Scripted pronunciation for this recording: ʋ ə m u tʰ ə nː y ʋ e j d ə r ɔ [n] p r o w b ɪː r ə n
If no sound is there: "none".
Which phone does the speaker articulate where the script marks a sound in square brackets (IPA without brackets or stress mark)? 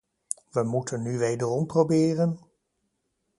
m